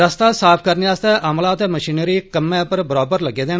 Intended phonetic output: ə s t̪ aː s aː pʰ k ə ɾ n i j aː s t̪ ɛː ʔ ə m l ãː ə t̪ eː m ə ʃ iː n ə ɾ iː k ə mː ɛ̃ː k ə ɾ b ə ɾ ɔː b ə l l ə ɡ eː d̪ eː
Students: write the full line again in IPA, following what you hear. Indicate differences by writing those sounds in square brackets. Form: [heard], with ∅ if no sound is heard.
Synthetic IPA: ə s t̪ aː s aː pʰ k ə ɾ n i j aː s t̪ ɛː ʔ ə m l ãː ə t̪ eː m ə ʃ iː n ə ɾ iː k ə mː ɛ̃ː [p] ə ɾ b ə ɾ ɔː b ə [ɾ] l ə ɡ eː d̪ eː